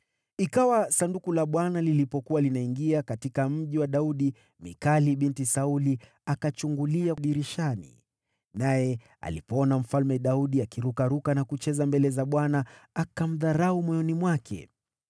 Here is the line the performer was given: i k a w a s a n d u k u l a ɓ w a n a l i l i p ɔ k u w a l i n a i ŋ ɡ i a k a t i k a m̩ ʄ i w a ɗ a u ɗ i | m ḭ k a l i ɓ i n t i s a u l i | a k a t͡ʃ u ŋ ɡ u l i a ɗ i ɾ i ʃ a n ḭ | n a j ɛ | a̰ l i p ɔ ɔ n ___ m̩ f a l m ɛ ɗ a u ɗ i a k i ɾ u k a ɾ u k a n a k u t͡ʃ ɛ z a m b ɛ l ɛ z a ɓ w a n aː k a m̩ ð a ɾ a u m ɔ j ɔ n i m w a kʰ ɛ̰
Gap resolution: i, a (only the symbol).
a